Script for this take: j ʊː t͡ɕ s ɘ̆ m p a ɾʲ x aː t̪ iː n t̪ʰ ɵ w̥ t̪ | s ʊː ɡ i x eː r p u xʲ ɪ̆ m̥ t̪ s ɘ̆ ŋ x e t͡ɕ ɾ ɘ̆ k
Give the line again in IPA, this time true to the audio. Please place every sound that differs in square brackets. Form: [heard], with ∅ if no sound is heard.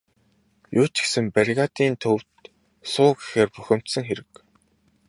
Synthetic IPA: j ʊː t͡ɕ s ɘ̆ m p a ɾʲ [ɣ] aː t̪ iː n t̪ʰ ɵ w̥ t̪ | s ʊː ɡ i x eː r p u xʲ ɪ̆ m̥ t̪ s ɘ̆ ŋ x e [∅] ɾ ɘ̆ k